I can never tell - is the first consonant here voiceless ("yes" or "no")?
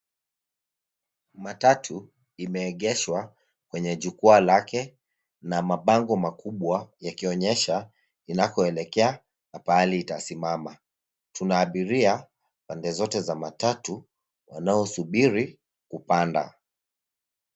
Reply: no